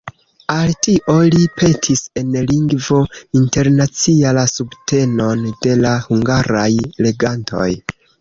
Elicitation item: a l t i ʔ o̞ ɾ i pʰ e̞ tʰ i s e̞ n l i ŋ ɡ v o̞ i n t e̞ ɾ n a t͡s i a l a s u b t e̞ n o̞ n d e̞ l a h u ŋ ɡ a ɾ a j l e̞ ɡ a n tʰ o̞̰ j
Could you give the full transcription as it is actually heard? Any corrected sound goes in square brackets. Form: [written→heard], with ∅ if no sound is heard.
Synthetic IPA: a l t i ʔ o̞ [ɾ→l] i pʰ e̞ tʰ i s e̞ n l i ŋ ɡ v o̞ i n t e̞ ɾ n a t͡s i a l a s u b t e̞ n o̞ n d e̞ l a h u ŋ ɡ a ɾ a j l e̞ ɡ a n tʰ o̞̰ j